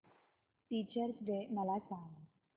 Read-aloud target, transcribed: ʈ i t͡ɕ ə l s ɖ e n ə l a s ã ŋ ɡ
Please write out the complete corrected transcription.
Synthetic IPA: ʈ i t͡ɕ ə ɾ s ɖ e m ə l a s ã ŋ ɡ